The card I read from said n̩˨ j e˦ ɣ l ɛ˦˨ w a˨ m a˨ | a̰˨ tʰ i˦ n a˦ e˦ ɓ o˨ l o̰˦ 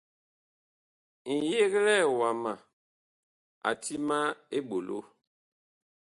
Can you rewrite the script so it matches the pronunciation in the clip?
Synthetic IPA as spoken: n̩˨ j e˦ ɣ l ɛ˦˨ w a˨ m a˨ | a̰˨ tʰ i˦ m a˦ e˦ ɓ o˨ l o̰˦